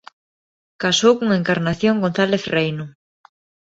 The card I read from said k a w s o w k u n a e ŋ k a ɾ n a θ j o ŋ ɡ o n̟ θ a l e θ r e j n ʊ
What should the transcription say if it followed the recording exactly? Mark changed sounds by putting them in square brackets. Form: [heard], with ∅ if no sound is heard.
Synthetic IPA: k a [∅] s o w k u [ŋ] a e ŋ k a ɾ n a θ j o ŋ ɡ o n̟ θ a l e θ r e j n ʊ